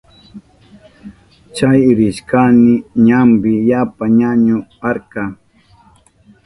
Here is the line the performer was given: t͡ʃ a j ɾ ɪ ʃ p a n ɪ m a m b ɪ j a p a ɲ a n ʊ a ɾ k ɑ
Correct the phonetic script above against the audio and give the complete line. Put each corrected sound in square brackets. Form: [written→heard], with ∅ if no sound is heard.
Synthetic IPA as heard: t͡ʃ a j ɾ ɪ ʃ [p→k] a n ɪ [m→ɲ] a m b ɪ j a p a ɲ a [n→ɲ] ʊ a ɾ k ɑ